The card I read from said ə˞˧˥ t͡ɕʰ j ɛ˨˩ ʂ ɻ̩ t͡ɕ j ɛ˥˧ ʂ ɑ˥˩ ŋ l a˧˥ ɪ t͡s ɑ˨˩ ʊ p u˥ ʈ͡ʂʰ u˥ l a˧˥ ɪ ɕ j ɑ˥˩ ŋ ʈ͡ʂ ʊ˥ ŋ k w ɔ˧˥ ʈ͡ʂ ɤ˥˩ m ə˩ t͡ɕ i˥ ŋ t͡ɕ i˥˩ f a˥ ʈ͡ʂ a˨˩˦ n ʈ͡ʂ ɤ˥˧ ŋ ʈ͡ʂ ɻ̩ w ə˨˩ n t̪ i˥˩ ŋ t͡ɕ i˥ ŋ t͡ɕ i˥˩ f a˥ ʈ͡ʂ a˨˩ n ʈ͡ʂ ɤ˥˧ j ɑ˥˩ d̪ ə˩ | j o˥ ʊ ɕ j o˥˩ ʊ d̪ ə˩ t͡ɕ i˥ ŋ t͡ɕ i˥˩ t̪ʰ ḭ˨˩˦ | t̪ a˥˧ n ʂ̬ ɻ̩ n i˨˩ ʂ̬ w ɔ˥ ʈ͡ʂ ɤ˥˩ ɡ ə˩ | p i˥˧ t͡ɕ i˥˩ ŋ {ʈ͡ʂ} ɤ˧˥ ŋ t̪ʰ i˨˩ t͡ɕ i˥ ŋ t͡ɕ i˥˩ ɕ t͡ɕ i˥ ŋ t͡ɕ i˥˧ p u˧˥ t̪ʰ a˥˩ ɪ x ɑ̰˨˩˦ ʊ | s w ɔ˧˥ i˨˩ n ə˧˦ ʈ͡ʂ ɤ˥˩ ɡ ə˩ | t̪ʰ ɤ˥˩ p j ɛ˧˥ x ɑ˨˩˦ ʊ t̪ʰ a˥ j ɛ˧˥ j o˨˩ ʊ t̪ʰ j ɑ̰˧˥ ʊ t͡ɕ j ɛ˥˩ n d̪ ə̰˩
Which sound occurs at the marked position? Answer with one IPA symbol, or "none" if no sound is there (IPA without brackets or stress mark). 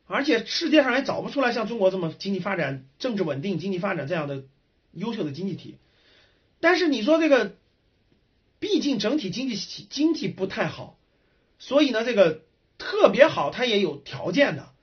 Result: ʈ͡ʂ